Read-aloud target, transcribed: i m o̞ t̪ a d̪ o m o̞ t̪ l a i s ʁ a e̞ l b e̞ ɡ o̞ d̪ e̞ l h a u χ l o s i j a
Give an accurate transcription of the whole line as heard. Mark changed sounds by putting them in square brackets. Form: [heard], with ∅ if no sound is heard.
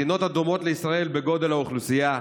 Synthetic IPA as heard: i [n] o̞ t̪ a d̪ o m o̞ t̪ l [e] i s ʁ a e̞ l b e̞ ɡ o̞ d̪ e̞ l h a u χ l [u] s i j a

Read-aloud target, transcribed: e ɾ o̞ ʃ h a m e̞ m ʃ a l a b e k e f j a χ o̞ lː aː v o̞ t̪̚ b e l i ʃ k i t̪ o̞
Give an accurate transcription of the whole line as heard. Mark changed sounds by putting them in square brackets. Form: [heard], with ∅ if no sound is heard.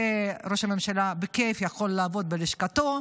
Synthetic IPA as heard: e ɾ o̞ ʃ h a m e̞ m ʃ a l a b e k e f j a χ o̞ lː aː v o̞ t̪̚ b e l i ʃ k [a] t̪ o̞

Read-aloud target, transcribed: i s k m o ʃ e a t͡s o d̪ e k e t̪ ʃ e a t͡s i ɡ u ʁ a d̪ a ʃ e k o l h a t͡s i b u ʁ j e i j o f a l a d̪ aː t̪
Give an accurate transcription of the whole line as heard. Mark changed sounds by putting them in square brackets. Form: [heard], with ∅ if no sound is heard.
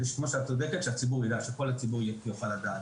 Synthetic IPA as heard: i [ʃ] k m o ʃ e a t͡s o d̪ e k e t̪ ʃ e a t͡s i [b] u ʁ [i] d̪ a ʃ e k o l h a t͡s i b u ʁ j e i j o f a l a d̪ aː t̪

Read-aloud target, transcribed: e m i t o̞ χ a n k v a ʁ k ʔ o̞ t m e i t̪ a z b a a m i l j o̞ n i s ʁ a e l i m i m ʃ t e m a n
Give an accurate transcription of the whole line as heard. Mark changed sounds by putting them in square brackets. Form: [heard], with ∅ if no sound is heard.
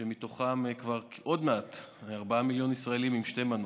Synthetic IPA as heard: e m i t o̞ χ a [m] k v a ʁ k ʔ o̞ [d] m e [a] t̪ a [ʁ] b a a m i l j o̞ n i s ʁ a e l i m i m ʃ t e m a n

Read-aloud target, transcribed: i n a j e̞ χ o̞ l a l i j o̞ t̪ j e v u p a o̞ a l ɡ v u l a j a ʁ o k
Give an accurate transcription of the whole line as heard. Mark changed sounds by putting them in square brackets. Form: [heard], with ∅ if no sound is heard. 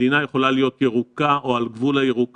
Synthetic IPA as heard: i n a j e̞ χ o̞ l a l i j o̞ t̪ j e [ʁ] u [k] a o̞ a l ɡ v u l a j [e] ʁ [u] k

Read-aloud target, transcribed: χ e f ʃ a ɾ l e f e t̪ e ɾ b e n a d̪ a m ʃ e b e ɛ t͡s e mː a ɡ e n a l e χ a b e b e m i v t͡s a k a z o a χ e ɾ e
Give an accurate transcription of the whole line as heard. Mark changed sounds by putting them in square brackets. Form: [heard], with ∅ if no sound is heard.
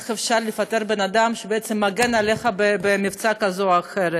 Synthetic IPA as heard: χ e f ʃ a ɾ l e f [a] t̪ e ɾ b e n a d̪ a m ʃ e b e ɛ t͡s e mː a ɡ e n a l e χ a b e b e m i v t͡s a k a z o a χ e ɾ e

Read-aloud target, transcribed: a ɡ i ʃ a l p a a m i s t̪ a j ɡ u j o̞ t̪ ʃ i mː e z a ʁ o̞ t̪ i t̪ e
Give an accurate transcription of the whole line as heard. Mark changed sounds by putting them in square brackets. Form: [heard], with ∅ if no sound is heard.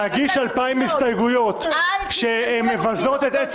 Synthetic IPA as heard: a ɡ i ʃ a l p a [i] m i s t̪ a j ɡ u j o̞ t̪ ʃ [e] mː e [v] a [z] o̞ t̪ [e] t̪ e

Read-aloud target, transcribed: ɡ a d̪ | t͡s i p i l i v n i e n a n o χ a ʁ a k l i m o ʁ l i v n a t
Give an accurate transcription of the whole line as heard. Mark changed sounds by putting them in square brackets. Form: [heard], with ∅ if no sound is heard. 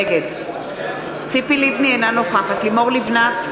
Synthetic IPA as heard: ɡ [e] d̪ | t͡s i p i l i v n i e n a n o χ a [χ] a [t] l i m o ʁ l i v n a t

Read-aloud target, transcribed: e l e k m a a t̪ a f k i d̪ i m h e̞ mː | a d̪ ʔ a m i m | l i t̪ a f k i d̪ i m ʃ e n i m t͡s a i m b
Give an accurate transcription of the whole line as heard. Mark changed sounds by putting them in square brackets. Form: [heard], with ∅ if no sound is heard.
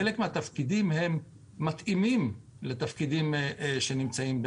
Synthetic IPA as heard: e l e k m [e] a t̪ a f k i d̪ i m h e̞ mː | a [t̪] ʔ [i] m i m | l [e] t̪ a f k i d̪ i m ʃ e n i m t͡s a i m b

